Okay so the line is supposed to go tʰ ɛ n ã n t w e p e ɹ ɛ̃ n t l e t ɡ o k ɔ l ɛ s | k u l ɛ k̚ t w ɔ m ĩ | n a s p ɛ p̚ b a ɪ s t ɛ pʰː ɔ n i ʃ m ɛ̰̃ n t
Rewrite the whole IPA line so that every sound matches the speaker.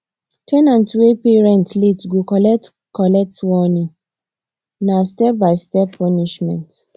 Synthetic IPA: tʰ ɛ n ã n t w e p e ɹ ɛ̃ n t l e t ɡ o k ɔ l ɛ t | k ɔ l ɛ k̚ t w ɔ n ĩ | n a s t ɛ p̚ b a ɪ s t ɛ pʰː ɔ n i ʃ m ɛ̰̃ n t